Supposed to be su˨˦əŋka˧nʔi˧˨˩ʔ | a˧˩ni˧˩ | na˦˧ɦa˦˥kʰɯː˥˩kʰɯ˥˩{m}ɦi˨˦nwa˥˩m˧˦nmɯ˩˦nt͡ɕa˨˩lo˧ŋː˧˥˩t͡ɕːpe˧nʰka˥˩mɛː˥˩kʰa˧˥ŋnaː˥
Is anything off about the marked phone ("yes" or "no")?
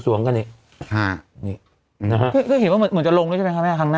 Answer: yes